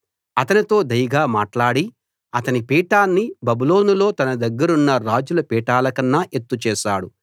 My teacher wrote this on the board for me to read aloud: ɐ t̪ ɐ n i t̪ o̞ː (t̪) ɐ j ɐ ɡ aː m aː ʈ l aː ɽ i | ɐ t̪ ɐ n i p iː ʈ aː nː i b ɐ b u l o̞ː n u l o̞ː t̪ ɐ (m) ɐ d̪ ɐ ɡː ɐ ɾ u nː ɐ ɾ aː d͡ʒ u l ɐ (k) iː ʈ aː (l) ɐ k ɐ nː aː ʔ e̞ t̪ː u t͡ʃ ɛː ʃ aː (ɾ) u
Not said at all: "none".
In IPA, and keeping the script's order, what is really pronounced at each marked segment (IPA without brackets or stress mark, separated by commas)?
d̪, n, p, l, ɽ